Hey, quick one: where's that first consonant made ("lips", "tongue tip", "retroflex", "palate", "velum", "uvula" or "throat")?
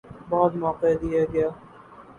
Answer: lips